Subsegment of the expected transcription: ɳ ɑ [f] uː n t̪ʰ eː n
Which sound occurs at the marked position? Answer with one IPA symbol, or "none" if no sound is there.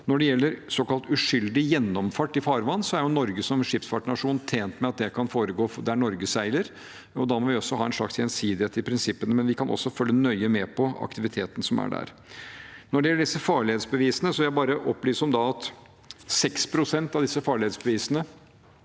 ʂ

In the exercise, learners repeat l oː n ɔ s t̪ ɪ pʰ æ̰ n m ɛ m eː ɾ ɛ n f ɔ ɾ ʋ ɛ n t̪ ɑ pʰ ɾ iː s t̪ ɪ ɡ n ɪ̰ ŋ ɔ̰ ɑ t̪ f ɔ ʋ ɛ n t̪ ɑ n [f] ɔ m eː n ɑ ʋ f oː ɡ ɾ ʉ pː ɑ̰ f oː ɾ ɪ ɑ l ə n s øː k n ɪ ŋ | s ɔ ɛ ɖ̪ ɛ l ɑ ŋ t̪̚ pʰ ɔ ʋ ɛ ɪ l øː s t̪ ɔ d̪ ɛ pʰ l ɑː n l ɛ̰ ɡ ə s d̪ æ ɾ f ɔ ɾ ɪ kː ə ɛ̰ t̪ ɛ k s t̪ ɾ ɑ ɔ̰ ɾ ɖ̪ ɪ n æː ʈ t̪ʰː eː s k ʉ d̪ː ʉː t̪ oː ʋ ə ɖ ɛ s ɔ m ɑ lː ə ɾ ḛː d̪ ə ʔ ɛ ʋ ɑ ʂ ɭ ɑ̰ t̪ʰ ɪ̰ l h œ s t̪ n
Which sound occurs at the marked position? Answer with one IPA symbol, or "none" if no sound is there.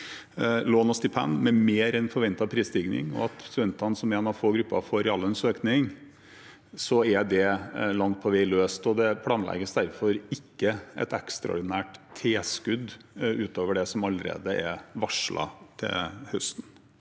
s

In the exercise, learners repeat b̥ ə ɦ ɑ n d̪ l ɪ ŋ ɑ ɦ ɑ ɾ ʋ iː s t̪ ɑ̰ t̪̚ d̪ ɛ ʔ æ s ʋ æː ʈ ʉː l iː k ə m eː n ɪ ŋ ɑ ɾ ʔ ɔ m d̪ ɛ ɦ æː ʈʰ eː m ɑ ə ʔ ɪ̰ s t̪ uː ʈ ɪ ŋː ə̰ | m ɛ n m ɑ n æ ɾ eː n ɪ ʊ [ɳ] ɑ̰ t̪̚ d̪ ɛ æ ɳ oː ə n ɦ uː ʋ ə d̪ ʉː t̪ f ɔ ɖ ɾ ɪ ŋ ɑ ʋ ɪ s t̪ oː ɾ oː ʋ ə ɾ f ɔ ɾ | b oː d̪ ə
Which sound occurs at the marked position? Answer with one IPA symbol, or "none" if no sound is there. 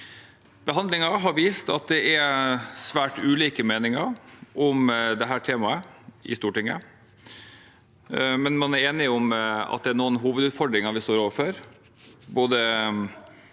m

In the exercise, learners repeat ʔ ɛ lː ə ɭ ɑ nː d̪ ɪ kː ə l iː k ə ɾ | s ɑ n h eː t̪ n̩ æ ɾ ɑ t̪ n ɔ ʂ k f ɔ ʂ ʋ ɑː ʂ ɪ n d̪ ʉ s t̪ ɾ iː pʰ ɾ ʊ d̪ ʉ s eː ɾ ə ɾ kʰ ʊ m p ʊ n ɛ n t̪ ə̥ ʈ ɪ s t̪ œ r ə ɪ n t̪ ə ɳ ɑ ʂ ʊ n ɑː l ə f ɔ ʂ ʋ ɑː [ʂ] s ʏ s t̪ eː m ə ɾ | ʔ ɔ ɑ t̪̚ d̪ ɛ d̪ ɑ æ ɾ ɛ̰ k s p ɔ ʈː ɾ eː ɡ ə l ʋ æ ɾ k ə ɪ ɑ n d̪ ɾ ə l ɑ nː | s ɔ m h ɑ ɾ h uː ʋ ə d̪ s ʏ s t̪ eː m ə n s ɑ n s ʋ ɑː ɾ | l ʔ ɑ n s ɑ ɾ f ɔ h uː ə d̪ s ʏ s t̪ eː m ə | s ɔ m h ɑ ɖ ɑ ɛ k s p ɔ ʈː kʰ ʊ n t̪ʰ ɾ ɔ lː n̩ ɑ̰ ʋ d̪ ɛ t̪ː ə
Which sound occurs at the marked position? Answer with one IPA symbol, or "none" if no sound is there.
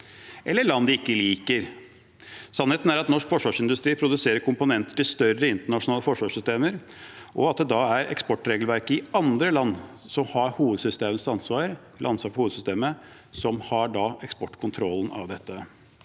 ʂ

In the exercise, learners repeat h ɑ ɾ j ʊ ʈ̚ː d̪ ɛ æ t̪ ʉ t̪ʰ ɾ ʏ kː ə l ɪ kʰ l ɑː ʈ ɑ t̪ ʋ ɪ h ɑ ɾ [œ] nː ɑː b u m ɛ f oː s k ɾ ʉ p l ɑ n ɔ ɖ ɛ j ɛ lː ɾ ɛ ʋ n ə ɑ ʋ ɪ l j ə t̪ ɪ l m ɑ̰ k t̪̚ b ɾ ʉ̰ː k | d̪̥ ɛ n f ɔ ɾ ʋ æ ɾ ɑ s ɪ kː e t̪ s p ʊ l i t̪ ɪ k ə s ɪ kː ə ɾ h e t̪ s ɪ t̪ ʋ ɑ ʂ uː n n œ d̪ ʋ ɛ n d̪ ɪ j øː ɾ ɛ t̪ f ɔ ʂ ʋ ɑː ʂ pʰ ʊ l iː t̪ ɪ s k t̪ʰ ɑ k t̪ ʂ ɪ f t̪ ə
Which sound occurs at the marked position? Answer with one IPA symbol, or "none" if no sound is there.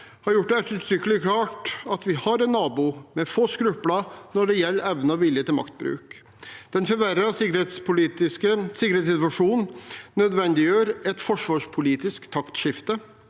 ɛ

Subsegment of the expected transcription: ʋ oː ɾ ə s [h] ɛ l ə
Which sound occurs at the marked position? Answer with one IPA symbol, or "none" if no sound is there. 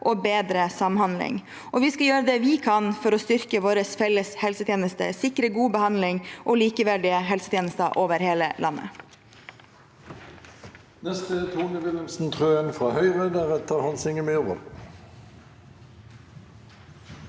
f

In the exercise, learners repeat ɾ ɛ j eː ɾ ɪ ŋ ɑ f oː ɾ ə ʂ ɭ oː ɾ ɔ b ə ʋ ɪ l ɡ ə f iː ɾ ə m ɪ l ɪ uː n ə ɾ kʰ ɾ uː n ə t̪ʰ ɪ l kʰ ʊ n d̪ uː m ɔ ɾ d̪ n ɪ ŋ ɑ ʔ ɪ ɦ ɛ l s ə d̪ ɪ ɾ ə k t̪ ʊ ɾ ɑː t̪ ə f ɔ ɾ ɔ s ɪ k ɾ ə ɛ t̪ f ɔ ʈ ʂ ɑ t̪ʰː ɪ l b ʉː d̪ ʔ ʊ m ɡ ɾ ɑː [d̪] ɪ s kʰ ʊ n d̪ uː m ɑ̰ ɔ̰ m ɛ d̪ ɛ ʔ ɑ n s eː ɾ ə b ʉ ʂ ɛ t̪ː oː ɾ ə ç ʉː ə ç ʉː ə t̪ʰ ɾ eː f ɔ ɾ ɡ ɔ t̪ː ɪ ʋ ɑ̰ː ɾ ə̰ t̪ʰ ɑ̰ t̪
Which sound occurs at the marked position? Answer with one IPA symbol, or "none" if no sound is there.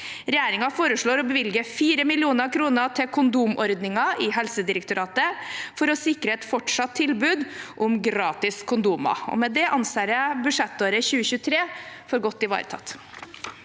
t̪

